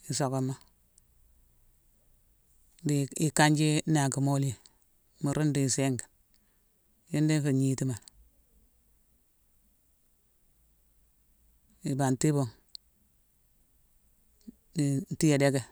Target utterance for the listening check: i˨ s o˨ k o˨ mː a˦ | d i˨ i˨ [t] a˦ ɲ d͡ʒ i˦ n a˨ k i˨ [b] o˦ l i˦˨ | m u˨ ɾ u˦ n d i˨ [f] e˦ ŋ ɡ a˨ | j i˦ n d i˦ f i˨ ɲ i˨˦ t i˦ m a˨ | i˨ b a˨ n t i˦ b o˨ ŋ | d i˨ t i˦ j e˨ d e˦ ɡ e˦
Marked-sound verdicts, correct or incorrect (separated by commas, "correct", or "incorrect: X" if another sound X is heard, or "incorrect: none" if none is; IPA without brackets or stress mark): incorrect: k, incorrect: m, incorrect: s